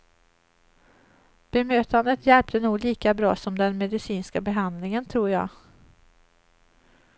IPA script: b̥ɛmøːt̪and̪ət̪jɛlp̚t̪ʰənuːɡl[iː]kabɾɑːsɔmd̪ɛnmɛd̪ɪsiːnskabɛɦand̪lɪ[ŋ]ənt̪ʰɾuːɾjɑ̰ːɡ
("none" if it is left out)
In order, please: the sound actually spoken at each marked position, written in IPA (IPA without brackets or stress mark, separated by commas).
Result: iː, ŋ